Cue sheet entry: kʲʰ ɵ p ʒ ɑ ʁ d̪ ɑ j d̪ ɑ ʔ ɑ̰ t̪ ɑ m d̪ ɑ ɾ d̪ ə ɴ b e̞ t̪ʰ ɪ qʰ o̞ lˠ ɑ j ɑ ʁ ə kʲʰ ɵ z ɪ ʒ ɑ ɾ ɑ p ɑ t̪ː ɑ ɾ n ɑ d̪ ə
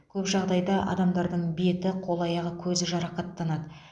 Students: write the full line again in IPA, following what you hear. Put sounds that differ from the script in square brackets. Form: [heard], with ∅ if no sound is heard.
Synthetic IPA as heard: kʲʰ ɵ p ʒ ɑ ʁ d̪ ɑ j d̪ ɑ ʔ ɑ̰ [d̪] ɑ m d̪ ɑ ɾ d̪ ə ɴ b e̞ [t̪] ɪ qʰ o̞ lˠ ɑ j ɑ ʁ ə kʲʰ ɵ z ɪ ʒ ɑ ɾ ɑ [q] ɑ t̪ː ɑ [∅] n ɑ d̪ ə